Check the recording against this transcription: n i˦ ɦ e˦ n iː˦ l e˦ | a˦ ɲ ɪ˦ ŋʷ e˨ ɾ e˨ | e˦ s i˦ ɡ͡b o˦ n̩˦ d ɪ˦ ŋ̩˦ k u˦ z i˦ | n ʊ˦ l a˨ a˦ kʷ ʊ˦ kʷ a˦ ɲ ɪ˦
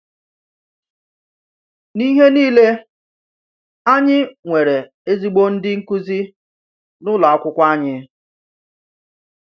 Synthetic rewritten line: n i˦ ɦ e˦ n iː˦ l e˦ | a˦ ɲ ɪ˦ ŋʷ e˨ ɾ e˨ | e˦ z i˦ ɡ͡b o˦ n̩˦ d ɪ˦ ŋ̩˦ k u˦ z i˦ | n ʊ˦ l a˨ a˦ kʷ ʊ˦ kʷ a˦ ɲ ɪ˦